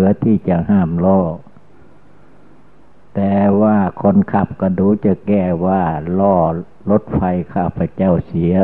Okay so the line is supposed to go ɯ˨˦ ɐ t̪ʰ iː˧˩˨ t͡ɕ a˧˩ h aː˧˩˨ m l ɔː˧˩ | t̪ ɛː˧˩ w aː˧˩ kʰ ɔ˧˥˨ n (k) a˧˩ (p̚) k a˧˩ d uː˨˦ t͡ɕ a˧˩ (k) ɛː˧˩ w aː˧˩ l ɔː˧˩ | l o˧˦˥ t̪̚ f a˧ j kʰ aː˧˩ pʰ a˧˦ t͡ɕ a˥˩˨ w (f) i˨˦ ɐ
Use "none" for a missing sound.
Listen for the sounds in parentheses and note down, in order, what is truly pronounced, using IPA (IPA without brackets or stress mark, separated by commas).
kʰ, p̚, k, s